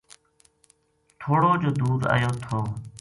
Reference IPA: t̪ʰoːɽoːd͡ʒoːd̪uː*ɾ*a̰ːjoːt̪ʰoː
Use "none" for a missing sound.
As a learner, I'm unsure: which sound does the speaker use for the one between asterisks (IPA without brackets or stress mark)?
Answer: ɾ